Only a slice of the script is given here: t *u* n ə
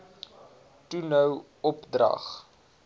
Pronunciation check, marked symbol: correct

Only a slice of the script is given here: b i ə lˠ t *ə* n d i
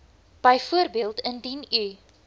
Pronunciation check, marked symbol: correct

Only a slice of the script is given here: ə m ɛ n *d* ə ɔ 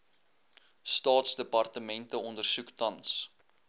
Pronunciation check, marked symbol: incorrect: t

